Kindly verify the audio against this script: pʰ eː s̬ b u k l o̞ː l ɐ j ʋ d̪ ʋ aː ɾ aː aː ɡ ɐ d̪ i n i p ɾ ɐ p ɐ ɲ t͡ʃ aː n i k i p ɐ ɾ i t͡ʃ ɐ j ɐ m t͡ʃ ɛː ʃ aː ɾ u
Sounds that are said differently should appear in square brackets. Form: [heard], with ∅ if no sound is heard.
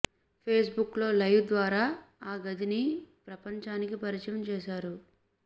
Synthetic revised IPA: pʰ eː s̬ b u k l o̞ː l ɐ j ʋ d̪ ʋ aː ɾ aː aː ɡ ɐ d̪ i n i p ɾ ɐ p ɐ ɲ t͡ʃ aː n i k i p ɐ ɾ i t͡ʃ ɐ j ɐ m t͡ʃ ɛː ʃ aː ɾ u